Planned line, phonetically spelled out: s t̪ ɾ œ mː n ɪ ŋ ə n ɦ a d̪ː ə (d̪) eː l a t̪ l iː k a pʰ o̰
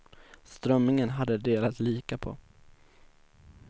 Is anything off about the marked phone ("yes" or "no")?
no